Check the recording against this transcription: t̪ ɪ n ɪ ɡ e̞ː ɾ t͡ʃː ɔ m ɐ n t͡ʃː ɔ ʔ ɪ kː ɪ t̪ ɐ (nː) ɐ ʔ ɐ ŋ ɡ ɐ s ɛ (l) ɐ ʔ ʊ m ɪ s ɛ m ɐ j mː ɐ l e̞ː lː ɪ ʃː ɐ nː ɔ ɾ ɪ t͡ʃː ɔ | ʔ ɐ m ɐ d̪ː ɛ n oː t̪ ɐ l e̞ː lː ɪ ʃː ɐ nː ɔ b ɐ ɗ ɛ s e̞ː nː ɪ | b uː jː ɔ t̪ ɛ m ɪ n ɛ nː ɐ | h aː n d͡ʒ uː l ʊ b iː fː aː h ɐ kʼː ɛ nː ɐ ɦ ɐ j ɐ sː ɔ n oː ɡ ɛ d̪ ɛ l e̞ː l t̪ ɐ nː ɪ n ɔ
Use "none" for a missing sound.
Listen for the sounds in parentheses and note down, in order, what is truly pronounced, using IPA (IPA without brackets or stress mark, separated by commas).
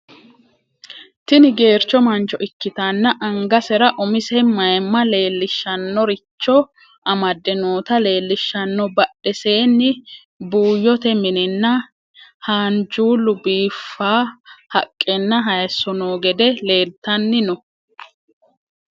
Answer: nː, ɾ